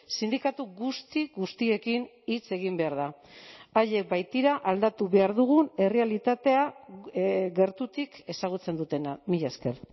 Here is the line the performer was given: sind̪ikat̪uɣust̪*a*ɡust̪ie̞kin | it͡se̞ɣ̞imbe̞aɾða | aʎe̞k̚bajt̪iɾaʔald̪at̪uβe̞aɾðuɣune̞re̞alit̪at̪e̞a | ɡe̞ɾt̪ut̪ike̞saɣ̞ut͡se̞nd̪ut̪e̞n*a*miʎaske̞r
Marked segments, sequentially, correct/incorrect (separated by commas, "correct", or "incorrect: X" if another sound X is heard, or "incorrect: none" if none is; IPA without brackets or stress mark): incorrect: i, correct